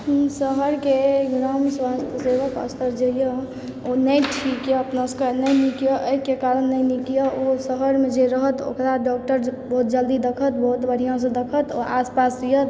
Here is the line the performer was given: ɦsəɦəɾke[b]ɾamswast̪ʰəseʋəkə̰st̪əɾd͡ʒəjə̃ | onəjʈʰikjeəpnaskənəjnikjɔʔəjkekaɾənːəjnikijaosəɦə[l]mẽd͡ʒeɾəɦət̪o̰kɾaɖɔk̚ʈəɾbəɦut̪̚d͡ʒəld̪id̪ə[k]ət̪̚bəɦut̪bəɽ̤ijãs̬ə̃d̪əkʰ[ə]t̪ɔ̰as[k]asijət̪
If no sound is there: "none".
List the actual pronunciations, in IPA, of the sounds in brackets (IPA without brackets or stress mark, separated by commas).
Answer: ɡ, ɾ, kʰ, ə, p